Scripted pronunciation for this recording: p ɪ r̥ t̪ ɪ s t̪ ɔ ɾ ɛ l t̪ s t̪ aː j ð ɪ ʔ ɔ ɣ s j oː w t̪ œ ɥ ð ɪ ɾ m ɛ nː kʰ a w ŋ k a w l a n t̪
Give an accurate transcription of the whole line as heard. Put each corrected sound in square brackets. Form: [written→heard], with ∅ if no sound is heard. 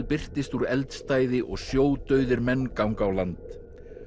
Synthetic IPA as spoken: p ɪ r̥ t̪ ɪ s t̪ [ɔ→u] ɾ ɛ l t̪ s t̪ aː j ð ɪ ʔ ɔ ɣ s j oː w t̪ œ ɥ ð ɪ ɾ m ɛ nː [kʰ→k] a w ŋ k a w l a n t̪